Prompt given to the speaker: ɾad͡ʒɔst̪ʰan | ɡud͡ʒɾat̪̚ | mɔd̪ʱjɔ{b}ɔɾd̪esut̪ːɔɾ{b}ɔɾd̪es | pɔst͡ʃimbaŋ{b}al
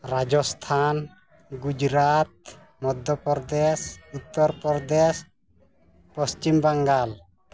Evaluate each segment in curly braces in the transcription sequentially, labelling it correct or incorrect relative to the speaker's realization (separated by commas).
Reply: incorrect, incorrect, incorrect